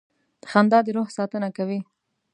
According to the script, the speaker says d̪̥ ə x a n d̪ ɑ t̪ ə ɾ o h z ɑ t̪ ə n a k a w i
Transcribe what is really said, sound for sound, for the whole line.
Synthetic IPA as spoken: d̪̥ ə x a n d̪ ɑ d̪ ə ɾ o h s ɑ t̪ ə n a k a w i